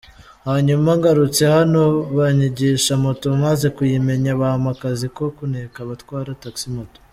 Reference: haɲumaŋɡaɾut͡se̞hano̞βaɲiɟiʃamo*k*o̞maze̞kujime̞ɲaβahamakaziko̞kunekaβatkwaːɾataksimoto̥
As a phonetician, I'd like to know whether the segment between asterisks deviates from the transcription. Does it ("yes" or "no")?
yes